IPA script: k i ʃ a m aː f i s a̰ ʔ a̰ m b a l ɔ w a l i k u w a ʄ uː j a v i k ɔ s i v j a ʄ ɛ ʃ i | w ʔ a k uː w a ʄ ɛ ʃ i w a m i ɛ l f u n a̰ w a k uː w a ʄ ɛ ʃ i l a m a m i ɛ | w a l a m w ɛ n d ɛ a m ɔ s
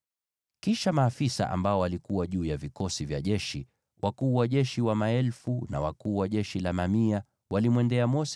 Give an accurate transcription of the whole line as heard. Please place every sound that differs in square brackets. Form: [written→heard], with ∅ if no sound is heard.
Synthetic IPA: k i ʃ a m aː f i s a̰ ʔ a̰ m b a [l→∅] ɔ w a l i k u w a ʄ uː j a v i k ɔ s i v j a ʄ ɛ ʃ i | w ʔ a k uː w a ʄ ɛ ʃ i w a m [i→a] ɛ l f u n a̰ w a k uː w a ʄ ɛ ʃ i l a m a m i [ɛ→a] | w a l [a→i] m w ɛ n d ɛ a m ɔ s